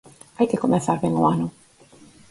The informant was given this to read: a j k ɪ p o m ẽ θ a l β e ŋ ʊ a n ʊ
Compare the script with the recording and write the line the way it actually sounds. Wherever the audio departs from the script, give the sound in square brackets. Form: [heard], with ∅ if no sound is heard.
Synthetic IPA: a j k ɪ [k] o m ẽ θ a [ɾ] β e ŋ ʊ a n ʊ